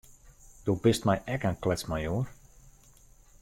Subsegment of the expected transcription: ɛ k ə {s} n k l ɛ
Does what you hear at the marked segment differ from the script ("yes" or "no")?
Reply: yes